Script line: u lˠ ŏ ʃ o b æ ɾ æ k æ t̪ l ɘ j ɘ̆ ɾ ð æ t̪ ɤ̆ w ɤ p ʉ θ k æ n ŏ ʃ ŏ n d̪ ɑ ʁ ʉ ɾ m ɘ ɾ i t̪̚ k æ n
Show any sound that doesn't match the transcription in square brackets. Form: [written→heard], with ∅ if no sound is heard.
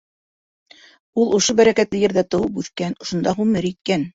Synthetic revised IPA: u lˠ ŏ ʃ o b æ ɾ æ k æ t̪ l ɘ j ɘ̆ ɾ ð æ t̪ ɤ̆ w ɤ p ʉ θ k æ n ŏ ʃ ŏ n d̪ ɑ ʁ ʉ [ɾ→∅] m ɘ ɾ i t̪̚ k æ n